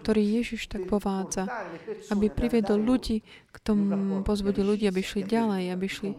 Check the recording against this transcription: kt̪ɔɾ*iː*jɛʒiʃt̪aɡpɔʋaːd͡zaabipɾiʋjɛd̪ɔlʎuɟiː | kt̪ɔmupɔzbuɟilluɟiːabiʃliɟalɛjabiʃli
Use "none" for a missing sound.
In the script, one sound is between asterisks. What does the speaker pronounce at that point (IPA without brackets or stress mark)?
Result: iː